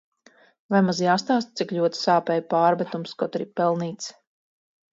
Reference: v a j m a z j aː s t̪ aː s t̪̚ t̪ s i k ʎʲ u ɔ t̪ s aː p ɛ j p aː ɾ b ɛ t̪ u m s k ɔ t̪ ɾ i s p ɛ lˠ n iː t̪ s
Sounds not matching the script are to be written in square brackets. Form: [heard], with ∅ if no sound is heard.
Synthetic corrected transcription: v a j m a z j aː s t̪ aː s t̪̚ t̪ s i k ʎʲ u ɔ t̪ s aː p ɛ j p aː ɾ b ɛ t̪ u m s k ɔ t̪ ɾ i [∅] p ɛ lˠ n iː t̪ s